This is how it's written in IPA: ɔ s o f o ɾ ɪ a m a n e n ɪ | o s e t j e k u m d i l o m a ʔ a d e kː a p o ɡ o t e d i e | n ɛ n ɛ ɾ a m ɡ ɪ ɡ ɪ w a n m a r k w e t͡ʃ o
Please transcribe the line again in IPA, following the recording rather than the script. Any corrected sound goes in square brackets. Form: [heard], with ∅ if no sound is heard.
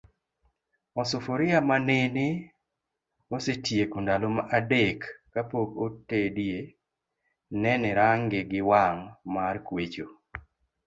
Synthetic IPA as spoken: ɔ s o f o ɾ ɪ a m a n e n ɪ | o s e t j e k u [n] d [a] l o m a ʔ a d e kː a p o ɡ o t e d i e | n ɛ n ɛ ɾ a [ŋ] ɡ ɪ ɡ ɪ w a [ŋ] m a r k w e t͡ʃ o